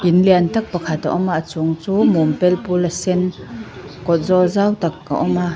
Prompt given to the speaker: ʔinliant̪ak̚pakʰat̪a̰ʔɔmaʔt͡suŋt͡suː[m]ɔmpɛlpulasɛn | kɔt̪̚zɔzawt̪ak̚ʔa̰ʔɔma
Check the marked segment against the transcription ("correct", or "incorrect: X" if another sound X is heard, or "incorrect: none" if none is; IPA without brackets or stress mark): correct